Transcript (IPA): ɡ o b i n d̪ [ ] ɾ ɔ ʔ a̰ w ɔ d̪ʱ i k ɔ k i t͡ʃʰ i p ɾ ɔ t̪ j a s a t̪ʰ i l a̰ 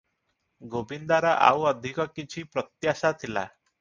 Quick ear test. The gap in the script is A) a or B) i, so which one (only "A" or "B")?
A